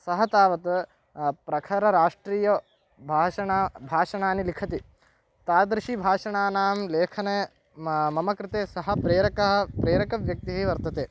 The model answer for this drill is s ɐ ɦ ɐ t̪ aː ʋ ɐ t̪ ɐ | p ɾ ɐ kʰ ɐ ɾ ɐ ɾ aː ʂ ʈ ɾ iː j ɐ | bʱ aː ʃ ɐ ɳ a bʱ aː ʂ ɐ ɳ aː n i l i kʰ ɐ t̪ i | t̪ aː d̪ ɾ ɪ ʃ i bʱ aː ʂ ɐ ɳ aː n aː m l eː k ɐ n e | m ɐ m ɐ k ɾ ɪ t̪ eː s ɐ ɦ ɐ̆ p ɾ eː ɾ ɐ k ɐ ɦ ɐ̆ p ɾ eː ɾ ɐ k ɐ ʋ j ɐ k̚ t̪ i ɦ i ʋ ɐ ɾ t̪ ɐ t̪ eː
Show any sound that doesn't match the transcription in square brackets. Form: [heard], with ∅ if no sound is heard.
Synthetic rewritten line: s ɐ ɦ ɐ t̪ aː ʋ ɐ t̪ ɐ | p ɾ ɐ kʰ ɐ ɾ ɐ ɾ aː ʂ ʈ ɾ iː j ɐ | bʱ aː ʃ ɐ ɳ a bʱ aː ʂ ɐ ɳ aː n i l i kʰ ɐ t̪ i | t̪ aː d̪ ɾ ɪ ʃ i bʱ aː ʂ ɐ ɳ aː n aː m l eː [kʰ] ɐ n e | m ɐ m ɐ k ɾ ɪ t̪ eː s ɐ ɦ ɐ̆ p ɾ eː ɾ ɐ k ɐ ɦ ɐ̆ p ɾ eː ɾ ɐ k ɐ ʋ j ɐ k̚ t̪ i ɦ i ʋ ɐ ɾ t̪ ɐ t̪ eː

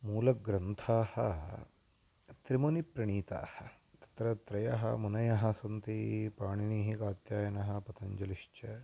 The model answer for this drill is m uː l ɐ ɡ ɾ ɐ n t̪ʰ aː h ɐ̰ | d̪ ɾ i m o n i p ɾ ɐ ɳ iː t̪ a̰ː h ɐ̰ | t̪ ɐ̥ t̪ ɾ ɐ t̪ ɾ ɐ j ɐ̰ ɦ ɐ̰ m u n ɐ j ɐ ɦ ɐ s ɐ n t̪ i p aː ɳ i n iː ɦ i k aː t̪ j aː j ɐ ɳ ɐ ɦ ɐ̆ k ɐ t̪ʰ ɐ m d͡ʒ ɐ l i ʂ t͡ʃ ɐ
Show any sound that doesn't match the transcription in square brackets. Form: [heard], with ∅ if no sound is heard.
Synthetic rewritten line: m uː l ɐ ɡ ɾ ɐ n t̪ʰ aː h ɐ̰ | [t̪] ɾ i m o n i p ɾ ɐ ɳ iː t̪ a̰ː h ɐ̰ | t̪ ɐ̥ t̪ ɾ ɐ t̪ ɾ ɐ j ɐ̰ ɦ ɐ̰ m u n ɐ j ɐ ɦ ɐ s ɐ n t̪ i p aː ɳ i n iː ɦ i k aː t̪ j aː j ɐ [n] ɐ ɦ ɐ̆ [p] ɐ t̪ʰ ɐ [ɲ] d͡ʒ ɐ l i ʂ t͡ʃ ɐ

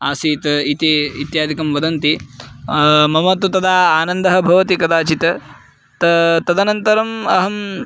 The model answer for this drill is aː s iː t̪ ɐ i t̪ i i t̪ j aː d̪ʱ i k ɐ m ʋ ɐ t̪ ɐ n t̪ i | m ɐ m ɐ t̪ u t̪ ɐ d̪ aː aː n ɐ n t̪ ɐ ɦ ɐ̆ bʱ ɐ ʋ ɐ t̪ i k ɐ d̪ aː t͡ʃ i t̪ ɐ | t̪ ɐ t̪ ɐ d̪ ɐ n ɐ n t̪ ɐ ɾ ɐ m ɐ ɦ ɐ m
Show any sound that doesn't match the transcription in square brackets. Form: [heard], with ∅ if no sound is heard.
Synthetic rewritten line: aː s iː t̪ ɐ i t̪ i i t̪ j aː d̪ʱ i k ɐ m ʋ ɐ [d̪] ɐ n t̪ i | m ɐ m ɐ t̪ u t̪ ɐ d̪ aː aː n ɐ n [d̪] ɐ ɦ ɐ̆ bʱ ɐ ʋ ɐ t̪ i k ɐ d̪ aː t͡ʃ i t̪ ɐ | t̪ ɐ t̪ ɐ d̪ ɐ n ɐ n t̪ ɐ ɾ ɐ m ɐ ɦ ɐ m

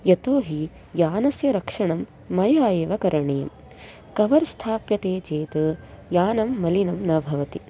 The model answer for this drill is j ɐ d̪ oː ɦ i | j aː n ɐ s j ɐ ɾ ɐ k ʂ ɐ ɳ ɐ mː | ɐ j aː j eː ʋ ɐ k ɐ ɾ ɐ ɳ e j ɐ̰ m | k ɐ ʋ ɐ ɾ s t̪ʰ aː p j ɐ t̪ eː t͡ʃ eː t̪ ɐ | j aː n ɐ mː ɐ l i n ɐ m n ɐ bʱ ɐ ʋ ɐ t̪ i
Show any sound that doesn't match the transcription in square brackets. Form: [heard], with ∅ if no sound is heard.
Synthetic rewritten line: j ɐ [t̪] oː ɦ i | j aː n ɐ s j ɐ ɾ ɐ k ʂ ɐ ɳ ɐ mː | ɐ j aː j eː ʋ ɐ k ɐ ɾ ɐ ɳ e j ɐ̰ m | k ɐ ʋ ɐ ɾ s t̪ʰ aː p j ɐ t̪ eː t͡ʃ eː t̪ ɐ | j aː n ɐ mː ɐ l i n ɐ m n ɐ bʱ ɐ ʋ ɐ t̪ i

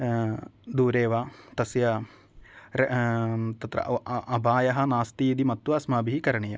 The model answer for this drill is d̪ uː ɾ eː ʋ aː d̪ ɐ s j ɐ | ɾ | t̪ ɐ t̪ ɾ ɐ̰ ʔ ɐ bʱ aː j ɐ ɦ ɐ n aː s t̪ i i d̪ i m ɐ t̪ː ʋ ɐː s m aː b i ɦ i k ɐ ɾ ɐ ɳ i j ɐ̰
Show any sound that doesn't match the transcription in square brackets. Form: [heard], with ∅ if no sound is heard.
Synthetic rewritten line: d̪ uː ɾ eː ʋ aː [t̪] ɐ s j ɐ | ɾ | t̪ ɐ t̪ ɾ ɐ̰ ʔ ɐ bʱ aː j ɐ ɦ ɐ n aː s t̪ i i d̪ i m ɐ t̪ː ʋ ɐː s m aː b i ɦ i k ɐ ɾ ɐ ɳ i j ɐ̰

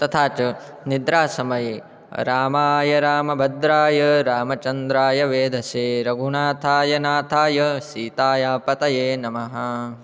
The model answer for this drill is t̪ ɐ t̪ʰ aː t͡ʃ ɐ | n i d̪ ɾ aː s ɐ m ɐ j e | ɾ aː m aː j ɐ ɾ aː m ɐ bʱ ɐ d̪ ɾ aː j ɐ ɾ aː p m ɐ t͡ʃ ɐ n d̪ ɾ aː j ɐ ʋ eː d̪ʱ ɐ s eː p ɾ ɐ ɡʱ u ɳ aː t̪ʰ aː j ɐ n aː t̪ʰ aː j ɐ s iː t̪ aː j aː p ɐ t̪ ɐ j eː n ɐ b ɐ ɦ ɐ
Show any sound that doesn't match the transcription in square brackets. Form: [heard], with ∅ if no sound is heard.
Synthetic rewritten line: t̪ ɐ t̪ʰ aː t͡ʃ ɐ | n i d̪ ɾ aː s ɐ m ɐ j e | ɾ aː m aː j ɐ ɾ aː m ɐ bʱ ɐ d̪ ɾ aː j ɐ ɾ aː [∅] m ɐ t͡ʃ ɐ n d̪ ɾ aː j ɐ ʋ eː d̪ʱ ɐ s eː [∅] ɾ ɐ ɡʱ u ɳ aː t̪ʰ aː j ɐ n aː t̪ʰ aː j ɐ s iː t̪ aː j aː p ɐ t̪ ɐ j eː n ɐ [m] ɐ ɦ ɐ

